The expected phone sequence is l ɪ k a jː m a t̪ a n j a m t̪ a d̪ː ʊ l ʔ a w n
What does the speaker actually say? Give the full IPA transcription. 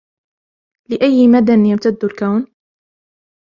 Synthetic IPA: l ɪ ʔ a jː m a d̪ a n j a m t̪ a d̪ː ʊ l k a w n

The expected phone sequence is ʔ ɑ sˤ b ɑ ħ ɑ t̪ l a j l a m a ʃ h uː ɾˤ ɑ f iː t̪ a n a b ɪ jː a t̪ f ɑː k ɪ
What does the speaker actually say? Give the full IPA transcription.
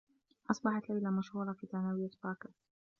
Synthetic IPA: ʔ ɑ sˤ b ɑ ħ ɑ t̪ l a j l a m a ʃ h uː ɾˤ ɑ f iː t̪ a n a w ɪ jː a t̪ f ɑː k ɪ

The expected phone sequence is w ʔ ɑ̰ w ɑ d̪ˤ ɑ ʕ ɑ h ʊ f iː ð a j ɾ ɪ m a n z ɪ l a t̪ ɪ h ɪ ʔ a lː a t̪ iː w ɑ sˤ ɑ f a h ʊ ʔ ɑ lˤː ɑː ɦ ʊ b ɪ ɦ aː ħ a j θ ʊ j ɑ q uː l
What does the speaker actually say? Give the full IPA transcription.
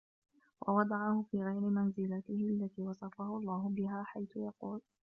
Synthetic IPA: w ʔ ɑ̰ w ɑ d̪ˤ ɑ ʕ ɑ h ʊ f iː ɣ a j ɾ ɪ m a n z ɪ l a t̪ ɪ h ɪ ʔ a lː a t̪ iː w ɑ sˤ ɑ f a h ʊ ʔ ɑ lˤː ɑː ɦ ʊ b ɪ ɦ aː ħ a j θ ʊ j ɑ q uː l

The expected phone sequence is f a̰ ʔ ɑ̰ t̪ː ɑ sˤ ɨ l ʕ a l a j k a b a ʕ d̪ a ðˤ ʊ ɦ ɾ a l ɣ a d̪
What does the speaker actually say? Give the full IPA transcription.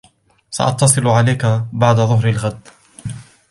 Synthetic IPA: s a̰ ʔ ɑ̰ t̪ː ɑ sˤ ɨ l ʕ a l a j k a b a ʕ d̪ a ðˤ ʊ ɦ ɾ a l ɣ a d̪

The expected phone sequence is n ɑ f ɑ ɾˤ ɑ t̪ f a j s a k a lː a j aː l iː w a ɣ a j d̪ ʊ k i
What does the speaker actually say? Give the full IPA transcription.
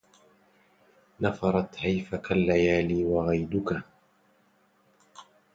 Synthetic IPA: n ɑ f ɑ ɾˤ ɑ t̪ h a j f a k a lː a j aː l iː w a ɣ a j d̪ ʊ k a

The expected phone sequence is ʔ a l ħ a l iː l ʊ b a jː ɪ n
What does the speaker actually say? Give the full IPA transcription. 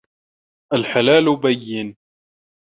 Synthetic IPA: ʔ a l ħ a l aː l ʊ b a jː ɪ n

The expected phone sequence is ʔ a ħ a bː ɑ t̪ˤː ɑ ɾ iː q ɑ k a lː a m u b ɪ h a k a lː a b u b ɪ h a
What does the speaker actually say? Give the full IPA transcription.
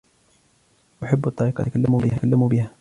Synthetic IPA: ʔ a ħ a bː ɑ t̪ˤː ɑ ɾ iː q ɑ k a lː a m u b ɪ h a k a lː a m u b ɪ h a

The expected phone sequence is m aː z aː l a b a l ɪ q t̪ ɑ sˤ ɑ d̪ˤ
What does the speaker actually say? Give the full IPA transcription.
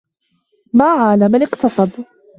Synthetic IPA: m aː ʕ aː l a m a l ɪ q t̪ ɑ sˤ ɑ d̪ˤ

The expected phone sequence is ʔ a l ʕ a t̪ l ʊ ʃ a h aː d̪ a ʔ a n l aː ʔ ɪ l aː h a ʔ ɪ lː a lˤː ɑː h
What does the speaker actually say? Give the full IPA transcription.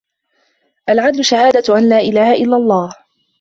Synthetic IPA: ʔ a l ʕ a d̪ l ʊ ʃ a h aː d̪ a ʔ a n l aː ʔ ɪ l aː h a ʔ ɪ lː a lˤː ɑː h

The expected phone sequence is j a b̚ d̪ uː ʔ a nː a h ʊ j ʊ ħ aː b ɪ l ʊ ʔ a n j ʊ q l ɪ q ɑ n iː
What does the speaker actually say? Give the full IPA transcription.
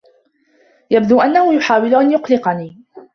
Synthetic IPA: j a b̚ d̪ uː ʔ a nː a h ʊ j ʊ ħ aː w ɪ l ʊ ʔ a n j ʊ q l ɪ q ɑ n iː

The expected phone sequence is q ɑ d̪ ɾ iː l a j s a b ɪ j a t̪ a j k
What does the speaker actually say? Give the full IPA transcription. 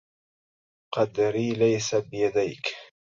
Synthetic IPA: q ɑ d̪ ɾ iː l a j s a b ɪ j a d̪ a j k

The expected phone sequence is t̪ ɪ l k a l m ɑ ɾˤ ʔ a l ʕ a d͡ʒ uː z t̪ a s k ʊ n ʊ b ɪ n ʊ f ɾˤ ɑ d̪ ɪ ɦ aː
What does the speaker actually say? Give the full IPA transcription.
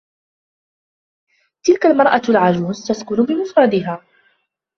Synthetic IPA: t̪ ɪ l k a l m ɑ ɾˤ ʔ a l ʕ a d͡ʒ uː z t̪ a s k ʊ n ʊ b ɪ m ʊ f ɾˤ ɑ d̪ ɪ ɦ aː

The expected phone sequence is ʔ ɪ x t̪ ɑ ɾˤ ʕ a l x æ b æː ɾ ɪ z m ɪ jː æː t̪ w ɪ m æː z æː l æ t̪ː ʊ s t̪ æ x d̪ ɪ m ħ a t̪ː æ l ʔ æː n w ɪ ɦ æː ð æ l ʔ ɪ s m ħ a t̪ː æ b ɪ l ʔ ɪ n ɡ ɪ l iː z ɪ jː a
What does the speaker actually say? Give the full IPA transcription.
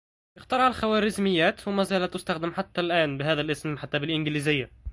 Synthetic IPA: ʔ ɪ x t̪ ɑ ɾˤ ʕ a l x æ w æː ɾ ɪ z m ɪ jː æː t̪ w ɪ m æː z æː l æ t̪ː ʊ s t̪ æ x d̪ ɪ m ħ a t̪ː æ l ʔ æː n b ɪ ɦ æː ð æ l ʔ ɪ s m ħ a t̪ː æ b ɪ l ʔ ɪ n ɡ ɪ l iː z ɪ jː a

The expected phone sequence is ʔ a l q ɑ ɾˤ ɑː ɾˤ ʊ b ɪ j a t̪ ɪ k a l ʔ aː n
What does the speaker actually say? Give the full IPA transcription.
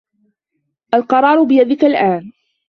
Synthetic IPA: ʔ a l q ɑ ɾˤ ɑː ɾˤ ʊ b ɪ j a d̪ ɪ k a l ʔ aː n

